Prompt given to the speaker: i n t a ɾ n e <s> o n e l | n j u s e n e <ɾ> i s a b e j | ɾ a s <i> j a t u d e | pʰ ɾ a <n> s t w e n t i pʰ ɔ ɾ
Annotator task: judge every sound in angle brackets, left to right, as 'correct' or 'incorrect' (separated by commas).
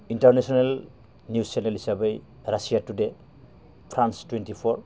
correct, incorrect, correct, correct